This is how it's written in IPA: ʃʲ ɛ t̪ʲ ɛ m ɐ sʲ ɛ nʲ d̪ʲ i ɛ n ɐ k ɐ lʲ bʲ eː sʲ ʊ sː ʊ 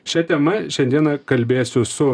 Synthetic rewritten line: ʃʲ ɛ t̪ʲ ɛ m ɐ ʃʲ ɛ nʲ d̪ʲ i ɛ n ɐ k ɐ lʲ bʲ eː sʲ ʊ s ʊ